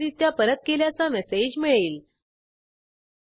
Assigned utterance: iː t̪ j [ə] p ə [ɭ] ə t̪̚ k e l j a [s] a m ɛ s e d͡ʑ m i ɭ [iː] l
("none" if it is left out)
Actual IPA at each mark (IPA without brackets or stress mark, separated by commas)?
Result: a, ɾ, t͡s, iː